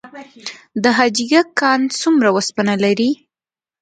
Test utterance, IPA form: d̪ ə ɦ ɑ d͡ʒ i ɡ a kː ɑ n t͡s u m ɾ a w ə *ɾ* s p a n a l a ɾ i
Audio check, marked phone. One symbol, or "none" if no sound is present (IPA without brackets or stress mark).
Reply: none